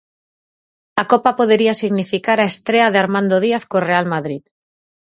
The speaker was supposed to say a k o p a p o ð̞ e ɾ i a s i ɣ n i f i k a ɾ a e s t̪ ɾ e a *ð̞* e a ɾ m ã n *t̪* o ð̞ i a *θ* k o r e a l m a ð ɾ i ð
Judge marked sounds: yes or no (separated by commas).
yes, no, yes